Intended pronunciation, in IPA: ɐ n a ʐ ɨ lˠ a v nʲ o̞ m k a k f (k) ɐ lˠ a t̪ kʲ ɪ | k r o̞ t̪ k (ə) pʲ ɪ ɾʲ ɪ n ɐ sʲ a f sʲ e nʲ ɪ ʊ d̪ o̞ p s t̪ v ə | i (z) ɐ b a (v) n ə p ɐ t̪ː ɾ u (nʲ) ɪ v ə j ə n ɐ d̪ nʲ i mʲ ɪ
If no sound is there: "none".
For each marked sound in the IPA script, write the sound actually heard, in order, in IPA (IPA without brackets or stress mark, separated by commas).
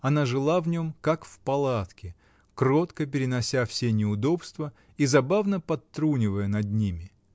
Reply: p, ə, z, v, nʲ